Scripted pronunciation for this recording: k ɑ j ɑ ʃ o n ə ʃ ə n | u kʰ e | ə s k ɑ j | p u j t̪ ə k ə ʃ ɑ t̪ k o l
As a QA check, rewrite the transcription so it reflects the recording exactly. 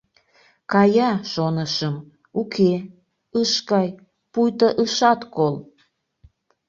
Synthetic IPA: k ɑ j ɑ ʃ o n ə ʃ ə m | u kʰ e | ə ʃ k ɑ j | p u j t̪ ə ʔ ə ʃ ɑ t̪ k o l